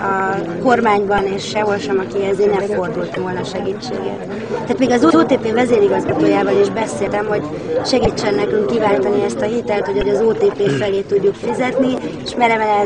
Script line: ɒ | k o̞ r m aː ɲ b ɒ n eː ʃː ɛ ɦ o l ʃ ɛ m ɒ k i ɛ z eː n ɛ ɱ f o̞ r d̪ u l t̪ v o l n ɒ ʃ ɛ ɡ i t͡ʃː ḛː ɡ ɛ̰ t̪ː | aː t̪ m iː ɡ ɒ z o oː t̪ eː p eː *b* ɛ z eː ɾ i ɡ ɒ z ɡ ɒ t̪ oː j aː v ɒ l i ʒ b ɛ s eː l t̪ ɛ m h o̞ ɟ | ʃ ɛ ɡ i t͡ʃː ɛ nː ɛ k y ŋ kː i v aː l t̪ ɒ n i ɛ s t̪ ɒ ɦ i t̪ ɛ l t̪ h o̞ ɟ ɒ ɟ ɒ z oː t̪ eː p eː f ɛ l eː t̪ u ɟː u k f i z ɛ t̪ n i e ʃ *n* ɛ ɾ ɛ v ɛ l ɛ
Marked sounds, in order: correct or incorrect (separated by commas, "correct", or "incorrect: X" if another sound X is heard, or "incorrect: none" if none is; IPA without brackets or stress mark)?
incorrect: v, incorrect: m